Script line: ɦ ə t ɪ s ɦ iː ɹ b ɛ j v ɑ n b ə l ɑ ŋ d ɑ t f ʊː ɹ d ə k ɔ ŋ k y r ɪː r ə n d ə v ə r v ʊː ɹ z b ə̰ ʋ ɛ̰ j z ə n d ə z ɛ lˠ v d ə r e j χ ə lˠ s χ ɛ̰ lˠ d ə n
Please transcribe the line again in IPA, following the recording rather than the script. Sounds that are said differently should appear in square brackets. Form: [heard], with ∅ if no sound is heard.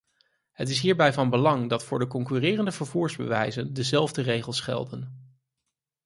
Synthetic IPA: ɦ ə t ɪ s ɦ iː ɹ b ɛ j v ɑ n b ə l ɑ ŋ d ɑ t f ʊː ɹ d ə k ɔ ŋ k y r ɪː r ə n d ə v ə [ɹ] v [uː] ɹ z b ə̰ ʋ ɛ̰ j z ə n d ə z ɛ lˠ v d ə r e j χ ə lˠ s χ ɛ̰ lˠ d ə n

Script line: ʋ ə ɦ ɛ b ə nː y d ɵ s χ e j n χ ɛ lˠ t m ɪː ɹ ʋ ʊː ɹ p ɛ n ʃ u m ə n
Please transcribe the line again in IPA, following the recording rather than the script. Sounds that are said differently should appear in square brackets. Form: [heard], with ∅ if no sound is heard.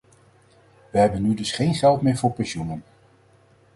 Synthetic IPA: ʋ ə ɦ ɛ b ə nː y d ɵ s χ e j n χ ɛ lˠ t m ɪː ɹ [v] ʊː ɹ p ɛ n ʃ u [n] ə n

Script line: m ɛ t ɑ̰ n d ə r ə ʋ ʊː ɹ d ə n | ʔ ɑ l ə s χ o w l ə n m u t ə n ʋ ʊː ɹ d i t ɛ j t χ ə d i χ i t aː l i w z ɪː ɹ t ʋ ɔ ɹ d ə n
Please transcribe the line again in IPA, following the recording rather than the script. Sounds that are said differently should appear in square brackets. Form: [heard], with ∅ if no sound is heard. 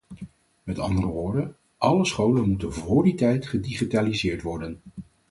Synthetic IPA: m ɛ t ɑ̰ n d ə r ə ʋ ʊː ɹ d ə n | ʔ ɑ l ə s χ o w l ə n m u t ə n [v] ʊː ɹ d i t ɛ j t χ ə d i χ i t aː l i [∅] z ɪː ɹ t ʋ ɔ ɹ d ə n

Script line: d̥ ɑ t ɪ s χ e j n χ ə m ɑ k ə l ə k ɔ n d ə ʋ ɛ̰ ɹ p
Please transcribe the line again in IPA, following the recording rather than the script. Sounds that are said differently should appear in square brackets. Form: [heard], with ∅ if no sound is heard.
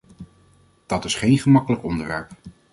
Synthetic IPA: d̥ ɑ t ɪ s χ e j n χ ə m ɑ k ə l ə k ɔ n d ə ʋ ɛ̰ ɹ p

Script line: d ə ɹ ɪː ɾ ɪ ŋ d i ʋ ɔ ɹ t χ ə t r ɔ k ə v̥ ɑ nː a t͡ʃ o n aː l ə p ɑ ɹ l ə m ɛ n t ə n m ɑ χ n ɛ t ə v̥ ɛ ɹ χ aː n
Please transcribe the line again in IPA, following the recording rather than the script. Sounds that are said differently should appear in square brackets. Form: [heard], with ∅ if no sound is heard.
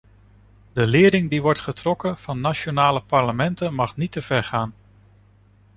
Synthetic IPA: d ə [l] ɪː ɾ ɪ ŋ d i ʋ ɔ ɹ t χ ə t r ɔ k ə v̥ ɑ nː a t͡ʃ o n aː l ə p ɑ ɹ l ə m ɛ n t ə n m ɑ χ n [i] t ə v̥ ɛ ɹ χ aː n

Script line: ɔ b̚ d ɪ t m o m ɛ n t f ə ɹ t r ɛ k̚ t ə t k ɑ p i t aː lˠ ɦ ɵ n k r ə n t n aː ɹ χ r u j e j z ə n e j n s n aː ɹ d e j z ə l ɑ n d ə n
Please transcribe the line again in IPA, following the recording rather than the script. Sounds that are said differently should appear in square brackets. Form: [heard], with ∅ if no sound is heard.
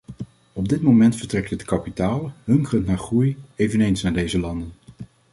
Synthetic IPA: ɔ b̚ d ɪ t m o m ɛ n t f ə ɹ t r ɛ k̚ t ə t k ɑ p i t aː lˠ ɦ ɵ [ŋ] k r ə n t n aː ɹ χ r u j e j [v] ə n e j n s n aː ɹ d e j z ə l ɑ n d ə n

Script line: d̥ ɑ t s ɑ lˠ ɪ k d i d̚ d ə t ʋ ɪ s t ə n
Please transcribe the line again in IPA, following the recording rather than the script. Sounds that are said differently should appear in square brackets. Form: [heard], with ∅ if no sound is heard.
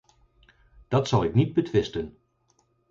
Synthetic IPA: d̥ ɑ t s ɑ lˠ ɪ k [n] i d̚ [b] ə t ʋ ɪ s t ə n

